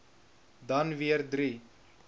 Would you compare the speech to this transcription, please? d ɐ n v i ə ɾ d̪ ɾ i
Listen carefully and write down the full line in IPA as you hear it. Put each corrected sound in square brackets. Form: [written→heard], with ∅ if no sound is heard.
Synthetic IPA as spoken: d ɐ n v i ə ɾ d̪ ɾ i